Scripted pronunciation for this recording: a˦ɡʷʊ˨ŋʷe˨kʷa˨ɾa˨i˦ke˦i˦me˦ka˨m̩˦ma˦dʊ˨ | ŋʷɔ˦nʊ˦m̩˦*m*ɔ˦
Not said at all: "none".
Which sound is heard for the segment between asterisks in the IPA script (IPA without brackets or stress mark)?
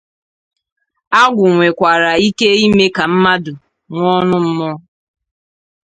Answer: m